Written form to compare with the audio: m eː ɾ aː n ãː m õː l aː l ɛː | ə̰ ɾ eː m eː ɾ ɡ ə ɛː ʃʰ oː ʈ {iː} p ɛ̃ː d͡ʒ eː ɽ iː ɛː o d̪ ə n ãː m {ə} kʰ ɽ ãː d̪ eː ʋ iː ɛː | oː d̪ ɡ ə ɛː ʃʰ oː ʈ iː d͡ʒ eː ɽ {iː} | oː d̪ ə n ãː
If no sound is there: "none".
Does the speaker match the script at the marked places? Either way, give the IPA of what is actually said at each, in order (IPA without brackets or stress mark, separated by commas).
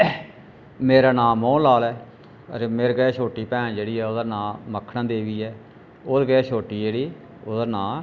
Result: iː, ə, iː